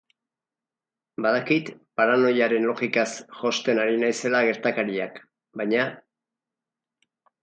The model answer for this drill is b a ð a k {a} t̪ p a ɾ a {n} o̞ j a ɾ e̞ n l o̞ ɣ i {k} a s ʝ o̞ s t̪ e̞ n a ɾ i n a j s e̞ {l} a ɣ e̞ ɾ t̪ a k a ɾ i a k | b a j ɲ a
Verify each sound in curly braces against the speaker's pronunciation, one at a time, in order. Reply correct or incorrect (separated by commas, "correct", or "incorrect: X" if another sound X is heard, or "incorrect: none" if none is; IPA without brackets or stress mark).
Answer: incorrect: i, correct, correct, correct